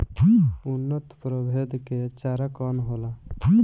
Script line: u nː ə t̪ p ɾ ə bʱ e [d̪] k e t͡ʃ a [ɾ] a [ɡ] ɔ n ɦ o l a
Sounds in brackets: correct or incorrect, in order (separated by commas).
correct, correct, incorrect